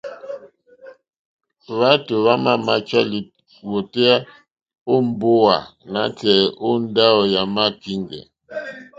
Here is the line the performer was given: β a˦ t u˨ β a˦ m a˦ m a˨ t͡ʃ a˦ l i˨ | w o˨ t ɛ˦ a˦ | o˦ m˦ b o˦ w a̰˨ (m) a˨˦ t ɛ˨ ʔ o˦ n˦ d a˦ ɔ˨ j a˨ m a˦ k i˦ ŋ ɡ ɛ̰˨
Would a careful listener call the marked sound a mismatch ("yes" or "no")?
yes